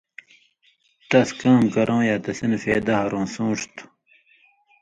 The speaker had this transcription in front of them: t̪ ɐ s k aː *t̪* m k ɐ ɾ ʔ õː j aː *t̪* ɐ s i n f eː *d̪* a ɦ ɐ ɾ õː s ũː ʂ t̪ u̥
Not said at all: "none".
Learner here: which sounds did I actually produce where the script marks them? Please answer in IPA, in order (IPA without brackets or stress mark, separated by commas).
none, t̪, d̪